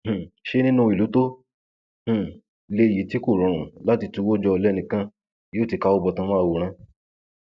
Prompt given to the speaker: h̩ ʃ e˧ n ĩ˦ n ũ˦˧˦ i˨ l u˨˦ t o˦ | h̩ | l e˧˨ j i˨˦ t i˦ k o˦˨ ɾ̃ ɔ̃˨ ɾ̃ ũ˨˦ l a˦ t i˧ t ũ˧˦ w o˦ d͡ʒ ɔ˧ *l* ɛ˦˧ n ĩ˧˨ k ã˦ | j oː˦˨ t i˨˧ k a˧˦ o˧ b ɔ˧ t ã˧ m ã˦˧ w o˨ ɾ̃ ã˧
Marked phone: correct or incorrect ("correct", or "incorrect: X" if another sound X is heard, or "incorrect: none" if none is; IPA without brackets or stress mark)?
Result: correct